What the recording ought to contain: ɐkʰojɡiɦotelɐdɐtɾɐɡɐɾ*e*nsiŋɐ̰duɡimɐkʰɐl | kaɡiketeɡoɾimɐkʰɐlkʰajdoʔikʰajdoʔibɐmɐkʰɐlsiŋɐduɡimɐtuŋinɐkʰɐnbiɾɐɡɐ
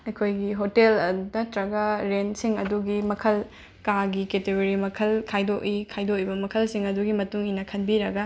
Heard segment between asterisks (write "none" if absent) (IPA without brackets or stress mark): e